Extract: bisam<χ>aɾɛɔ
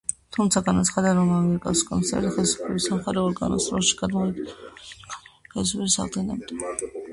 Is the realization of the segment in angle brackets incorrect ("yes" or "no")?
no